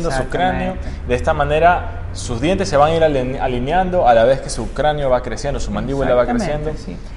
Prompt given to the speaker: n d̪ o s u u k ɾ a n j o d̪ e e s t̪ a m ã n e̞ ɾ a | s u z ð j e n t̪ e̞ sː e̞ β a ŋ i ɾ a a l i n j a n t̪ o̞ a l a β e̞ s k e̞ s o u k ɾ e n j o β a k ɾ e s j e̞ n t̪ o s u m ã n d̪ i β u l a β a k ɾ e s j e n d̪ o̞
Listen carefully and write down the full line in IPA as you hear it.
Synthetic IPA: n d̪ o s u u k ɾ a n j o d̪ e e s t̪ a m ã n e̞ ɾ a | s u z ð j e n t̪ e̞ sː e̞ β a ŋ i ɾ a a l i n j a n d̪ o̞ a l a β e̞ s k e̞ s u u k ɾ a n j o β a k ɾ e s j e̞ n d̪ o s u m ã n d̪ i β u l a β a k ɾ e s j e n d̪ o̞